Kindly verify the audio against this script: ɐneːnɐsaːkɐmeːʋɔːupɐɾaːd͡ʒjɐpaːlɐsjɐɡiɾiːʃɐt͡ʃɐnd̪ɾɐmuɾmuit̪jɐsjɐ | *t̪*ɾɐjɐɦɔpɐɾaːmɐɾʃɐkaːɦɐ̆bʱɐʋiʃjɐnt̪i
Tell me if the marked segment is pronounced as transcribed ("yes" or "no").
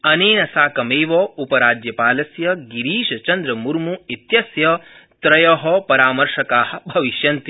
yes